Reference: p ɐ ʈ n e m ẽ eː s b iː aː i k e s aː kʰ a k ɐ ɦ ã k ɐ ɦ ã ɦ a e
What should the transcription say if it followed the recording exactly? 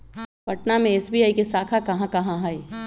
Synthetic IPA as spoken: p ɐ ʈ n a m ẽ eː s b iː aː i k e s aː kʰ a k ɐ ɦ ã k ɐ ɦ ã ɦ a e